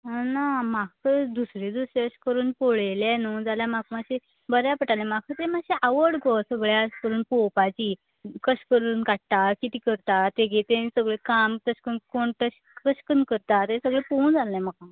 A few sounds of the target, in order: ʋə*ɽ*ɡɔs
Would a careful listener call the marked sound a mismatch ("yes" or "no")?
no